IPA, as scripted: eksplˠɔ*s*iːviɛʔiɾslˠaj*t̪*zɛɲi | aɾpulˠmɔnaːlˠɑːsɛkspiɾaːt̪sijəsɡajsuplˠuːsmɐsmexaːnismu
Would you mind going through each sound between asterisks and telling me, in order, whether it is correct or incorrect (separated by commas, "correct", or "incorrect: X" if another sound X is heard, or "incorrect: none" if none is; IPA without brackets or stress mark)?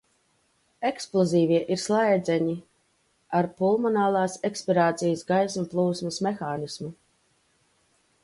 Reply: incorrect: z, incorrect: d̪